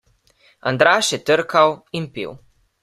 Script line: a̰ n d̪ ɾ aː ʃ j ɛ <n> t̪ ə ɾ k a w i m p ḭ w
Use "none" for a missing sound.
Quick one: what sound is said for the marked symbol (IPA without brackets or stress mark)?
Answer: none